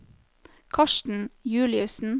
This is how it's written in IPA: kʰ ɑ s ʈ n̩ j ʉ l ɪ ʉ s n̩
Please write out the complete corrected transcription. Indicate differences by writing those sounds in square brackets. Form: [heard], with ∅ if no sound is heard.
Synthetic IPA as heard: kʰ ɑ [ʃ] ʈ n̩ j [ʉː] l ɪ ʉ s n̩